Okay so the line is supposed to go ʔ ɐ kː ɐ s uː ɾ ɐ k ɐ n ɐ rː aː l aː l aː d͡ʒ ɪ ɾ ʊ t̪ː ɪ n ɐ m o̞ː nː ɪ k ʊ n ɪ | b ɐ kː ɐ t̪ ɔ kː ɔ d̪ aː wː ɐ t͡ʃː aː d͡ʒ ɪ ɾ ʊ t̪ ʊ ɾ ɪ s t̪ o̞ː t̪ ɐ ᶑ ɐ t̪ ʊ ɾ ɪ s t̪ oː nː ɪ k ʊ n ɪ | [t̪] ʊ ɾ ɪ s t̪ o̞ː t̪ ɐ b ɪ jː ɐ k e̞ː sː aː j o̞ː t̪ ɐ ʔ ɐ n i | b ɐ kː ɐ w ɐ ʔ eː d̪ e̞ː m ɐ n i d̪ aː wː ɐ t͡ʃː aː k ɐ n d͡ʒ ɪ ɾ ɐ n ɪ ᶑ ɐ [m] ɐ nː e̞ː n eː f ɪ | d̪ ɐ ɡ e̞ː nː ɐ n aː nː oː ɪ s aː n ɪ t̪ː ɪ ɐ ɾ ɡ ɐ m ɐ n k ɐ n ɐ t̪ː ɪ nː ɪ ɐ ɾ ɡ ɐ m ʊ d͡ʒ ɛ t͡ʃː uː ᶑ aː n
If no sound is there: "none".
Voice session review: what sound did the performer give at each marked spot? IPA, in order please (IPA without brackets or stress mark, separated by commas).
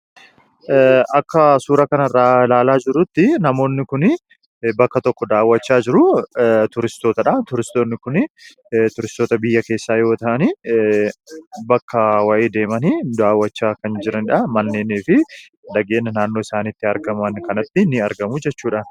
t̪, m